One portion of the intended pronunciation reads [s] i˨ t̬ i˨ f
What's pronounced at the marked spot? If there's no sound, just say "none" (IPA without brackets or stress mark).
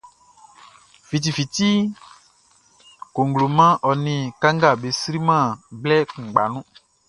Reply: f